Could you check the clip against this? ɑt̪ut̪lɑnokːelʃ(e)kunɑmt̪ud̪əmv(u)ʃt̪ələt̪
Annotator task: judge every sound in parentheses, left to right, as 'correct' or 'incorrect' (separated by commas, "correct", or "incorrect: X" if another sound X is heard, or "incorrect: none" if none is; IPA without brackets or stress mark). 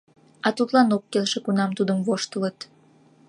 correct, incorrect: o